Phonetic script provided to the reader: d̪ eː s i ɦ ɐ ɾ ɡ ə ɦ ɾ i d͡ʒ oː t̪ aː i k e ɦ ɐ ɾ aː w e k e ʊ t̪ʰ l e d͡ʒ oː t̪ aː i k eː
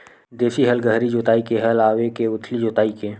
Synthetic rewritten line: d̪ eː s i ɦ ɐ l ɡ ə ɦ ɾ i d͡ʒ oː t̪ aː i k e ɦ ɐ l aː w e k e ʊ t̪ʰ l i d͡ʒ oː t̪ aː i k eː